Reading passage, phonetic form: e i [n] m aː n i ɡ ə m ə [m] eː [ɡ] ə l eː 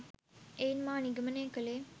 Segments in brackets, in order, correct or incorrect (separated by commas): correct, incorrect, incorrect